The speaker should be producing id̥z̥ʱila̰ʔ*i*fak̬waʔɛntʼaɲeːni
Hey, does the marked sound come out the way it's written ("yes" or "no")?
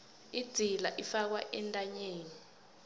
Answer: yes